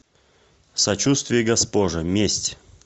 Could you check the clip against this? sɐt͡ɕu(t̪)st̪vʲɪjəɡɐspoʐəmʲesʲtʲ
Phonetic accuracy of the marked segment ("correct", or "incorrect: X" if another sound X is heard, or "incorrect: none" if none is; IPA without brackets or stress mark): incorrect: none